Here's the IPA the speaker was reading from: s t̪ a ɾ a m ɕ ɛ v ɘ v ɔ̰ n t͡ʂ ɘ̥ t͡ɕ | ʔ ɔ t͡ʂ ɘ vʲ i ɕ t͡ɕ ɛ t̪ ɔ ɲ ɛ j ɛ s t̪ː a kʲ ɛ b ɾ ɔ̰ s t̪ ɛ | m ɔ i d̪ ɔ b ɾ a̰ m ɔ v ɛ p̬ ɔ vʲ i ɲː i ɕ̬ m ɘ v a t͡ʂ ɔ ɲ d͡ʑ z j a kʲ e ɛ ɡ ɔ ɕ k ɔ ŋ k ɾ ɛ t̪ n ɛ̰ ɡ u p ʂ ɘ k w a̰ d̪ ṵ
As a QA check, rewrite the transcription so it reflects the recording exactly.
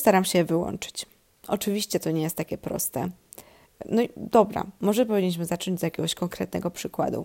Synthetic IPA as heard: s t̪ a ɾ a m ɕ ɛ v ɘ w ɔ̰ n t͡ʂ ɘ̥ t͡ɕ | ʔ ɔ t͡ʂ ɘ vʲ i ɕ t͡ɕ ɛ t̪ ɔ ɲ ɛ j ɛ s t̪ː a kʲ ɛ p ɾ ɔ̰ s t̪ ɛ | n ɔ i d̪ ɔ b ɾ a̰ m ɔ ʐ ɛ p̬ ɔ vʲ i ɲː i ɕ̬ m ɘ z a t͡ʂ ɔ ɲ d͡ʑ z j a kʲ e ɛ ɡ ɔ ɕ k ɔ ŋ k ɾ ɛ t̪ n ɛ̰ ɡ ɔ p ʂ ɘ k w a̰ d̪ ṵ